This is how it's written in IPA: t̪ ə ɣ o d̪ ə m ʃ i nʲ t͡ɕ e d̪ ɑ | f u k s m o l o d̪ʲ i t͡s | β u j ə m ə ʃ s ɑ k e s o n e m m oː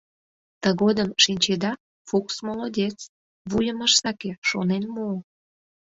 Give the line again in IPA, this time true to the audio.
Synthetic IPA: t̪ ə ɣ o d̪ ə m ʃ i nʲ t͡ɕ e d̪ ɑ | f u k s m o l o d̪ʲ e t͡s | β u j ə m ə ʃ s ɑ k e ʃ o n e n m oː